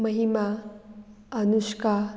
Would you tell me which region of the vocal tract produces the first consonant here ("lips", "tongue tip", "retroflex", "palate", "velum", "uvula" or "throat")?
lips